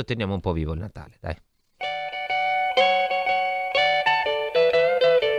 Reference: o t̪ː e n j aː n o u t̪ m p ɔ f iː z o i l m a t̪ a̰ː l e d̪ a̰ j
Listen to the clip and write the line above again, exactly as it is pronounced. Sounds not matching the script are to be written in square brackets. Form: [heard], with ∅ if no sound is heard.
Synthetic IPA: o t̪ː e n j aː [m] o u [∅] m p ɔ [v] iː [v] o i l [n] a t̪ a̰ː l e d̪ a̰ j